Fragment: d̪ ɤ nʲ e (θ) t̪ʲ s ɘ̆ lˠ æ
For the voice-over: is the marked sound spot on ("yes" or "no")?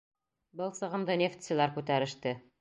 no